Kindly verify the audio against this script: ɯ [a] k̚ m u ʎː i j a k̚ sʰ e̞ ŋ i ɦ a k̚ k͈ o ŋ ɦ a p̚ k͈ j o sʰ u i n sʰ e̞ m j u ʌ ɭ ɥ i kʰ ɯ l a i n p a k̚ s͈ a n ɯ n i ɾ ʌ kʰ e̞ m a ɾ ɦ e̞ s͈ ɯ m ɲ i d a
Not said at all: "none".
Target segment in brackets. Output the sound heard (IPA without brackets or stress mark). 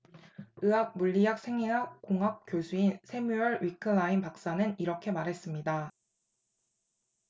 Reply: a